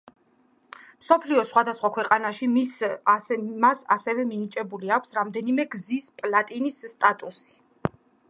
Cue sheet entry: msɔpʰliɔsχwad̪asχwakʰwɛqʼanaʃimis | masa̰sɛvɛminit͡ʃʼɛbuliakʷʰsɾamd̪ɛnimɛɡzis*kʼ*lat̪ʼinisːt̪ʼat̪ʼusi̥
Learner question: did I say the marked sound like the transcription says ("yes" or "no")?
no